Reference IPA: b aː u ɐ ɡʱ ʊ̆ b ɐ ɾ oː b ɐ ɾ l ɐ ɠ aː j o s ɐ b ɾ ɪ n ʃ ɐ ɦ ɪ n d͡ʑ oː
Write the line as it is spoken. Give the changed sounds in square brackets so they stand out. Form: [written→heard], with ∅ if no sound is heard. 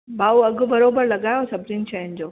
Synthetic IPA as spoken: b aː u ɐ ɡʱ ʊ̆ b ɐ ɾ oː b [ɐ→ə] ɾ l ɐ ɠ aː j o s ɐ b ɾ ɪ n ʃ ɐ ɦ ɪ n d͡ʑ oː